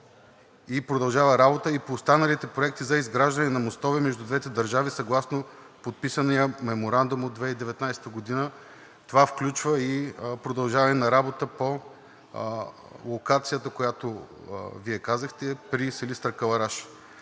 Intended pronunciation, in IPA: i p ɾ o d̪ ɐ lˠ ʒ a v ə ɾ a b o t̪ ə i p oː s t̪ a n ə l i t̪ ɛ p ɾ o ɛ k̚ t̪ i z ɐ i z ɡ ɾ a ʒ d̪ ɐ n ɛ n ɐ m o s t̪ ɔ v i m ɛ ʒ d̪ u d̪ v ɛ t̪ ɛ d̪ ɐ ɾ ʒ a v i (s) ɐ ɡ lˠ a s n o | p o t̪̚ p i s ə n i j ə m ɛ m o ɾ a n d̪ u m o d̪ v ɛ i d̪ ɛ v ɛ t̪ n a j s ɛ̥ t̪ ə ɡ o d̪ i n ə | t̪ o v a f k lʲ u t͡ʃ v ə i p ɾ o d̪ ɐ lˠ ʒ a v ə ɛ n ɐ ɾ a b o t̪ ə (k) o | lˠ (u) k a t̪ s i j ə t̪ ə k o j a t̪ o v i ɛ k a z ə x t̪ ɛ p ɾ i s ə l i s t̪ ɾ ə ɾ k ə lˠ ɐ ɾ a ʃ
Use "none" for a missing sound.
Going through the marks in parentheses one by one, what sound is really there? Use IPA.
s, p, o

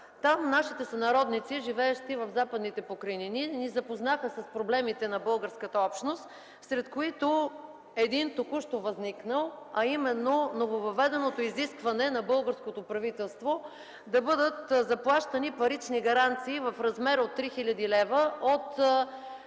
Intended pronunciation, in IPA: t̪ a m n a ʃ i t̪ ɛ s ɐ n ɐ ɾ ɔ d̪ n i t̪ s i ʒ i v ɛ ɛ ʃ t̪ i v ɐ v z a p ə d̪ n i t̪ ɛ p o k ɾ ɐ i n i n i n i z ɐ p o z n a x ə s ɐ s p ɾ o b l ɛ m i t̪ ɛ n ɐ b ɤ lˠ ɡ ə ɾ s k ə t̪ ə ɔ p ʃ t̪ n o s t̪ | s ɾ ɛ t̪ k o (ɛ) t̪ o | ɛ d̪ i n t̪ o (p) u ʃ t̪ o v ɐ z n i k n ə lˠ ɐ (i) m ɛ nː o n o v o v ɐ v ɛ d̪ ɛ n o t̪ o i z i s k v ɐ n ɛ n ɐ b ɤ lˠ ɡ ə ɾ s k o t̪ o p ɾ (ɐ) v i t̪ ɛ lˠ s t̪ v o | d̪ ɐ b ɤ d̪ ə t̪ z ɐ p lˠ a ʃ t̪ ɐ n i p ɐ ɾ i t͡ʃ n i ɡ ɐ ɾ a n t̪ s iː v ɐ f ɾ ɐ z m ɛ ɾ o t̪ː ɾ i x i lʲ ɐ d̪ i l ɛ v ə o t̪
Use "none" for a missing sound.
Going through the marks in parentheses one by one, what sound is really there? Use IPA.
i, k, i, ɐ

